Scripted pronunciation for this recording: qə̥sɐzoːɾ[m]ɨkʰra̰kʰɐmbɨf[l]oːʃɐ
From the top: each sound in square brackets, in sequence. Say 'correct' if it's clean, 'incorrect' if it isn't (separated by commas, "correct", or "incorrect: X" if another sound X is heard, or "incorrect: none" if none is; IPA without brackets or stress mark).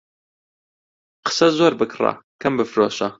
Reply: incorrect: b, incorrect: ɾ